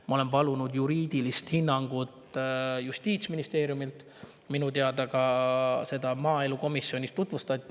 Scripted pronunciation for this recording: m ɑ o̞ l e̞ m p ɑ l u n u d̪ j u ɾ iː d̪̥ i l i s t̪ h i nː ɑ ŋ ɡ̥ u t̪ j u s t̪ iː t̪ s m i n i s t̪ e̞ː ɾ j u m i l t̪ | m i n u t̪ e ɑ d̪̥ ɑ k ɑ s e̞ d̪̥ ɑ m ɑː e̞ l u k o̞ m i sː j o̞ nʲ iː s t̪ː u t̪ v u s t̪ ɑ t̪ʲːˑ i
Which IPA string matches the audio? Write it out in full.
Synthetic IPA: m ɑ o̞ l e̞ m p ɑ l u n u d̪ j u ɾ iː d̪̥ i l i s t̪ h i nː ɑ ŋ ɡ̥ u t̪ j u s t̪ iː t̪ s m i n i s t̪ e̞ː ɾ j u m i l t̪ | m i n u t̪ e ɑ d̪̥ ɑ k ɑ s e̞ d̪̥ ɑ m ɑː e̞ l u k o̞ m i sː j o̞ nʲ i s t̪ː u t̪ v u s t̪ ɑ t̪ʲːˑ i